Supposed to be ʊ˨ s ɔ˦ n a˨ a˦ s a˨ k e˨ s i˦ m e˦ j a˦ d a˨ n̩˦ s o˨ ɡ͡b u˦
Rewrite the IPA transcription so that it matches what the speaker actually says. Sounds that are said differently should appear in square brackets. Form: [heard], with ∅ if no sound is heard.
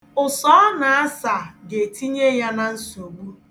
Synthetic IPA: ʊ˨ s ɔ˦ n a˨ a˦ s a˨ [ɡ] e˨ [t] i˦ [ɲ] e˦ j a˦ [n] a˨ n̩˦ s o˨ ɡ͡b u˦